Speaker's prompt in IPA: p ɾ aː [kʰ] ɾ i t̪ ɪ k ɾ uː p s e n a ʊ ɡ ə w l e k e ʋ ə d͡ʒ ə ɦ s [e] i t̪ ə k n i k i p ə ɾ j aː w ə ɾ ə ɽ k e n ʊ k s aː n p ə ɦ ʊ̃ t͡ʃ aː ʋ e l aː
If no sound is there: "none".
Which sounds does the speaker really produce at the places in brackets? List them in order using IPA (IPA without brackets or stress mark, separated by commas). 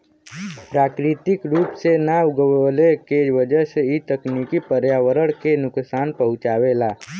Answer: k, e